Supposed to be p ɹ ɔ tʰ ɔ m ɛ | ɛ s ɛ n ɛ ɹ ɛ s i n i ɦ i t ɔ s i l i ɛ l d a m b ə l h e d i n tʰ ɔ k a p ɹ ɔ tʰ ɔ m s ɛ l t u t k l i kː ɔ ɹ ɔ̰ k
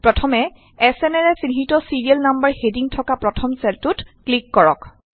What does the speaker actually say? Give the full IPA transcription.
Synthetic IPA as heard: p ɹ ɔ tʰ ɔ m ɛ | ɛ s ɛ n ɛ ɹ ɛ s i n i ɦ i t ɔ s i ɹ i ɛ l n a m b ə ɹ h e d i ŋ tʰ ɔ k a p ɹ ɔ tʰ ɔ m s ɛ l t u t k l i kː ɔ ɹ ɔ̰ k